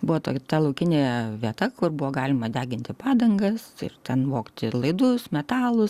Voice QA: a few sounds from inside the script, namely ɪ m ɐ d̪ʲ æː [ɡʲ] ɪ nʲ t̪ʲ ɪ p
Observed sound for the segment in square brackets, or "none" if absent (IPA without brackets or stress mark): ɡʲ